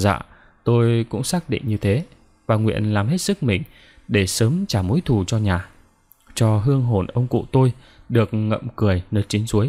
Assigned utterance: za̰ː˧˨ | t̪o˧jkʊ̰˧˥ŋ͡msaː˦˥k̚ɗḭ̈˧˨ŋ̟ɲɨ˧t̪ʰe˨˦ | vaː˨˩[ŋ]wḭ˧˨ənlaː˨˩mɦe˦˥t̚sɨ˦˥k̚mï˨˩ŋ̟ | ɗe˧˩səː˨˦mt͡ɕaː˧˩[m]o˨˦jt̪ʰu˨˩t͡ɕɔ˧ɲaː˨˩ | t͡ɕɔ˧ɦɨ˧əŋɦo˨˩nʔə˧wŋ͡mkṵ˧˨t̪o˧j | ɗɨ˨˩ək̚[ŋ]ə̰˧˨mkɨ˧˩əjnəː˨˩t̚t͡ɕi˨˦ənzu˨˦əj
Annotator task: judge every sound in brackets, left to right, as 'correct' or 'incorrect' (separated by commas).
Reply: correct, correct, correct